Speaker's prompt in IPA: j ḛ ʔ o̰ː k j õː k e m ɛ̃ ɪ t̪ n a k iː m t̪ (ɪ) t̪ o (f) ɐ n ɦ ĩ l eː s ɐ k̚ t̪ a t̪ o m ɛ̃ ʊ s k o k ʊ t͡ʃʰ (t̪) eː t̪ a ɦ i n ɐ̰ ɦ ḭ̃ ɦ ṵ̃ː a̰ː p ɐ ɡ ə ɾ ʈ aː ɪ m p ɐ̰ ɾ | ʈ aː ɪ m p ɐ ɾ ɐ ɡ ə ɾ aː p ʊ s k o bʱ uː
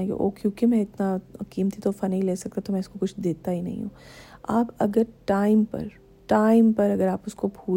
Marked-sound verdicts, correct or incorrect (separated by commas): incorrect, correct, incorrect